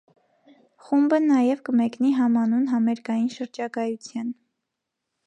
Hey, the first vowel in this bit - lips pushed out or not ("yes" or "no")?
yes